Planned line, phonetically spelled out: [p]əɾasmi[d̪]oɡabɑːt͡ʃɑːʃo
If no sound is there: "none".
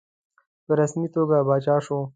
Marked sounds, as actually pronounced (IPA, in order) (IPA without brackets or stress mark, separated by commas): p, t̪